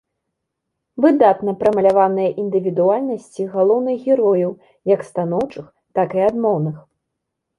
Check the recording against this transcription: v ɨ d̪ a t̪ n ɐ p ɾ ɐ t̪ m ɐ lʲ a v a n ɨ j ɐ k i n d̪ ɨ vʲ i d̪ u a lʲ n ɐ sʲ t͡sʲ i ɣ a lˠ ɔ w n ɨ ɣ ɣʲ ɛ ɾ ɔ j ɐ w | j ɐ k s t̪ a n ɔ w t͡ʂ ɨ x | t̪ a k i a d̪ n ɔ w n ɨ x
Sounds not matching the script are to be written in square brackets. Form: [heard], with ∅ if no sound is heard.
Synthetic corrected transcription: v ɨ d̪ a t̪ n ɐ p ɾ ɐ [∅] m ɐ lʲ a v a n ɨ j ɐ [ʔ] i n d̪ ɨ vʲ i d̪ u a lʲ n ɐ sʲ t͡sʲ i ɣ a lˠ ɔ w n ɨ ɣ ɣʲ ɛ ɾ ɔ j ɐ w | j ɐ k s t̪ a n ɔ w t͡ʂ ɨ x | t̪ a k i a d̪ [m] ɔ w n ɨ x